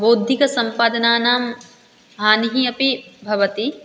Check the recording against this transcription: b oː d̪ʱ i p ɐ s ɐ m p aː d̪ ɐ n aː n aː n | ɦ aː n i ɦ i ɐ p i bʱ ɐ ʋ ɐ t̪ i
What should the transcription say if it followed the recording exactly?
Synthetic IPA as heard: b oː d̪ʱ i k ɐ s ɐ m p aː d̪ ɐ n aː n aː m | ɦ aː n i ɦ i ɐ p i bʱ ɐ ʋ ɐ t̪ i